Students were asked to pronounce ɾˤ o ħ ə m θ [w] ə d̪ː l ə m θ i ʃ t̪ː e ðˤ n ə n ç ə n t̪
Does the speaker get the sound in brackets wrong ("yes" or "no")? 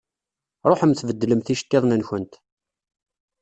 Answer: yes